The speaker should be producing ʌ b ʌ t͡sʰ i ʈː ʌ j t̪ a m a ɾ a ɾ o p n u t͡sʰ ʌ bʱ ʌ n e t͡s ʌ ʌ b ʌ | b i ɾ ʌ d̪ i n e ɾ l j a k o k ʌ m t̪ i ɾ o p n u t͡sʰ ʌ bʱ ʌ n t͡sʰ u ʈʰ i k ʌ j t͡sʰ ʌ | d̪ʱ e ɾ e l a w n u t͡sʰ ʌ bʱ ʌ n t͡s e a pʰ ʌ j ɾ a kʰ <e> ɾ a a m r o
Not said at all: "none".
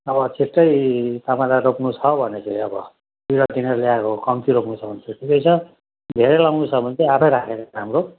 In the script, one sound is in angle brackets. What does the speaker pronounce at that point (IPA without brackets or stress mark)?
e